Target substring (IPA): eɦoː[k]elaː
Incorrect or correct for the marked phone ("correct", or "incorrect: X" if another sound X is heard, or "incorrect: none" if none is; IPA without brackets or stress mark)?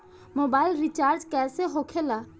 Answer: incorrect: kʰ